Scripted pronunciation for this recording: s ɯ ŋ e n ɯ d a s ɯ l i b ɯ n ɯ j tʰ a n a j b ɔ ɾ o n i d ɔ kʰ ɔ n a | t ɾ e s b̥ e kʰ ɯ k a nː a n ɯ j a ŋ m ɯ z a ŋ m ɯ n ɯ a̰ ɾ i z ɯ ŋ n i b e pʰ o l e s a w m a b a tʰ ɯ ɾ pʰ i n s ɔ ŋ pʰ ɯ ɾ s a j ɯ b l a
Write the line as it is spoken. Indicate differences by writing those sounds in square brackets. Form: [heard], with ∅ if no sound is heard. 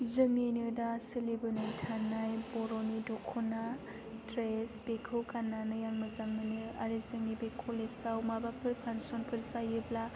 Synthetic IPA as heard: [z] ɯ ŋ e n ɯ d a s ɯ l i b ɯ n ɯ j tʰ a n a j b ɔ ɾ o n i d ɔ kʰ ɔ n a | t ɾ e s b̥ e kʰ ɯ k a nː a n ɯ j a ŋ m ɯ z a ŋ m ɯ n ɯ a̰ ɾ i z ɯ ŋ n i b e [kʰ] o l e s a w m a b a [pʰ] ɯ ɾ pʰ [a] n s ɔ [n] pʰ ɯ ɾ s a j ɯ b l a